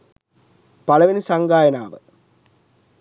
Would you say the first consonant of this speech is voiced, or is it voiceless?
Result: voiceless